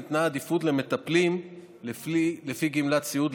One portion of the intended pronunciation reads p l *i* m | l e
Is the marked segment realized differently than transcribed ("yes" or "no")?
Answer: no